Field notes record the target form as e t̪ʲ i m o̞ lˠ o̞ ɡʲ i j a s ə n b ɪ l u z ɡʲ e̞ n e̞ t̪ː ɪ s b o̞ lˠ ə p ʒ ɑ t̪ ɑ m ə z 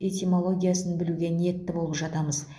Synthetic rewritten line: e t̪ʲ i m o̞ lˠ o̞ ɡʲ i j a s ə n b ɪ l u ɡʲ e̞ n e̞ t̪ː ɪ b o̞ lˠ ə p ʒ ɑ t̪ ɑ m ə z